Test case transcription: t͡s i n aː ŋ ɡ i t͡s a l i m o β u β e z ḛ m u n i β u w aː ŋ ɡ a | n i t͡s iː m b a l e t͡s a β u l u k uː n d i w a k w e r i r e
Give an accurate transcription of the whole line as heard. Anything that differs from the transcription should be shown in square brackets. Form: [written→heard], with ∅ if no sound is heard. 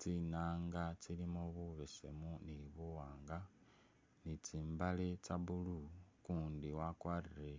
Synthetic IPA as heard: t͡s i n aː ŋ ɡ [i→a] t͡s [a→i] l i m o β u β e [z→s] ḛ m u n i β u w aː ŋ ɡ a | n i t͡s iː m b a l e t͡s a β u l u k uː n d i w a k w [e→a] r i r e